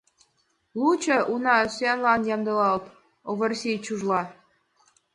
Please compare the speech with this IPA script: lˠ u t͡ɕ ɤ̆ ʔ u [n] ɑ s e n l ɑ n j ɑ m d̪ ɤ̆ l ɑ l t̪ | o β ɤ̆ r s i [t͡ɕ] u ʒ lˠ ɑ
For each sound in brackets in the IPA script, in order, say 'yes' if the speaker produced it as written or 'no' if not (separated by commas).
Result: yes, yes